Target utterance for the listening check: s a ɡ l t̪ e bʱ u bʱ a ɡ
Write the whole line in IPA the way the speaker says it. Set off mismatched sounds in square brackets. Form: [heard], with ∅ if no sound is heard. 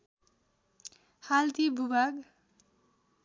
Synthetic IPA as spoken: [h] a [∅] l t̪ [i] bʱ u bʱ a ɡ